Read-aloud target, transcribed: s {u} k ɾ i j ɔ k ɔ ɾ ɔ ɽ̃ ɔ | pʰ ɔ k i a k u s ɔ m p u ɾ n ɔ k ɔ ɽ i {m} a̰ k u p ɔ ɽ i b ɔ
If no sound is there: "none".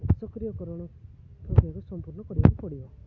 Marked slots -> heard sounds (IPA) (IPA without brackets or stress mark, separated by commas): ɔ, b